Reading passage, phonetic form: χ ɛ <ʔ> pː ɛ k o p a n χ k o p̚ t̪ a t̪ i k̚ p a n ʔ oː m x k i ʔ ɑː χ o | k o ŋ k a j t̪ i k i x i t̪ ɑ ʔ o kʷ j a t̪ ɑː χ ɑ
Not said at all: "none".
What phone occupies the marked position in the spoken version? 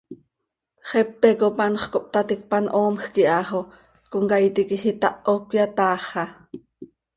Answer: none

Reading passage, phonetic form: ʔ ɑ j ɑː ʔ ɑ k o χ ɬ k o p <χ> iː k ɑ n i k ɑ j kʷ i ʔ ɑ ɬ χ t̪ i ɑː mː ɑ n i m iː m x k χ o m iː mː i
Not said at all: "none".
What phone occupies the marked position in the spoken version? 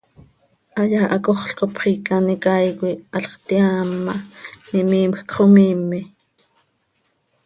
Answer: χ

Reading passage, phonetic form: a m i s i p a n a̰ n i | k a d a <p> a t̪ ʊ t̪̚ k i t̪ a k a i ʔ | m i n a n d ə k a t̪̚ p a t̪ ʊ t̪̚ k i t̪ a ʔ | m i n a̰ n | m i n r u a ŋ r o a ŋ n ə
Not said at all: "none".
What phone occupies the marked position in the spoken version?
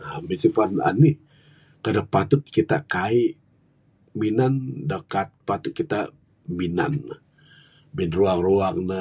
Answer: p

